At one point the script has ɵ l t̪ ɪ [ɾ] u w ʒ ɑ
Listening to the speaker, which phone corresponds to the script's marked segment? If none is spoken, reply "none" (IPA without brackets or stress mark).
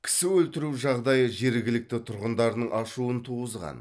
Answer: ɾ